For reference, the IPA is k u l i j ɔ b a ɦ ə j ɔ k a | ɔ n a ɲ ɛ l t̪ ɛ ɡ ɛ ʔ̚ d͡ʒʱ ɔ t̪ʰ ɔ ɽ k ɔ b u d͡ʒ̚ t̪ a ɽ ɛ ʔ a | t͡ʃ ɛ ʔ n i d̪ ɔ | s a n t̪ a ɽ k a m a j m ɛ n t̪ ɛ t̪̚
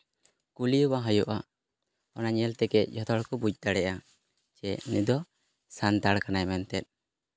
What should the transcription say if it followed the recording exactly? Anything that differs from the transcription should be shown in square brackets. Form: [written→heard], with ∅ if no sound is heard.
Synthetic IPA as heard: k u l i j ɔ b a ɦ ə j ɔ [k→ʔ] a | ɔ n a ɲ ɛ l t̪ ɛ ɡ ɛ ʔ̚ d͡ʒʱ ɔ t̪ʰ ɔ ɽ k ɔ b u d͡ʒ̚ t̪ a ɽ ɛ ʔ a | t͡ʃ ɛ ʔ n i d̪ ɔ | s a n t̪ a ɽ k a [m→n] a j m ɛ n t̪ ɛ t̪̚

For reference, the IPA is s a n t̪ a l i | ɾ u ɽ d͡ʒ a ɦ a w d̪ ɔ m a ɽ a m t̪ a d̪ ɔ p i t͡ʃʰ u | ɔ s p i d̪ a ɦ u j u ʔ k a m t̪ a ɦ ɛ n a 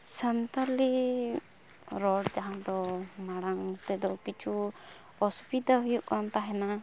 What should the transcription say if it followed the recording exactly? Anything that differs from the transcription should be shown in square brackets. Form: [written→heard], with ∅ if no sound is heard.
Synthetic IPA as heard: s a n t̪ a l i | ɾ [u→ɔ] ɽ d͡ʒ a ɦ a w d̪ ɔ m a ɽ a [m→ŋ] t̪ [a→ɛ] d̪ ɔ [p→k] i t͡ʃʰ u | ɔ s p i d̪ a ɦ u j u ʔ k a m t̪ a ɦ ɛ n a

